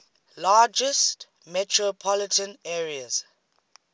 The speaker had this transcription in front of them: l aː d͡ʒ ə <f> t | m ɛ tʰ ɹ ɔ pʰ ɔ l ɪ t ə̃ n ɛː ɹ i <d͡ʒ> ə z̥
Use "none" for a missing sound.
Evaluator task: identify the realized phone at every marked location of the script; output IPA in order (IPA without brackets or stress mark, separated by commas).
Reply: s, none